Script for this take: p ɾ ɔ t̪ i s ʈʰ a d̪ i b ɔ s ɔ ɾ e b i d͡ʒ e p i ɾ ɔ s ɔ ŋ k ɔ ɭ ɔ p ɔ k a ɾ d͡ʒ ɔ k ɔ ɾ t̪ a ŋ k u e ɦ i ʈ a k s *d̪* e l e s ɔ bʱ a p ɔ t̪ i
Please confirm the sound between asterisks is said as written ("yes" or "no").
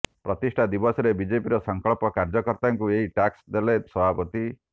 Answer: yes